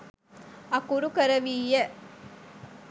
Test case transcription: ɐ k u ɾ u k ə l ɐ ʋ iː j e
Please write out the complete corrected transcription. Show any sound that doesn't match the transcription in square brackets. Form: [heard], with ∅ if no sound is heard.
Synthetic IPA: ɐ k u ɾ u k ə [ɾ] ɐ ʋ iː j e